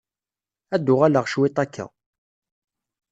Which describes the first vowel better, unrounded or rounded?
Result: unrounded